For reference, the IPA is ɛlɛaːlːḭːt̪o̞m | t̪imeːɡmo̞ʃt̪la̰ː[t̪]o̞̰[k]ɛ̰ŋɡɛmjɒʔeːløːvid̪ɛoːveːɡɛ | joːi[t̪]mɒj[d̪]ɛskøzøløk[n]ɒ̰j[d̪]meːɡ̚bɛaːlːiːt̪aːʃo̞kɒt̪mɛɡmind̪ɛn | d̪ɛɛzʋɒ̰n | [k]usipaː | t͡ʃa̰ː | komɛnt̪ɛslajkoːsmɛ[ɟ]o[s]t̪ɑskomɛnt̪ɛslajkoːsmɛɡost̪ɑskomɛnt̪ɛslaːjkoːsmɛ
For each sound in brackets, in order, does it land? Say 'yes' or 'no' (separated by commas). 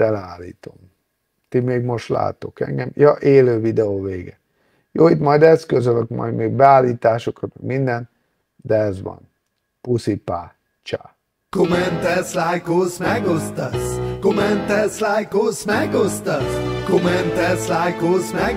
yes, yes, yes, yes, no, yes, no, no, yes